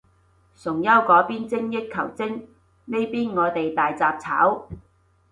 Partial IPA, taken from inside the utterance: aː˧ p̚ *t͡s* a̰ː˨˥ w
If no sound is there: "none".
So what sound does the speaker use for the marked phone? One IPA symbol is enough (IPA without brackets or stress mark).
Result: t͡sʰ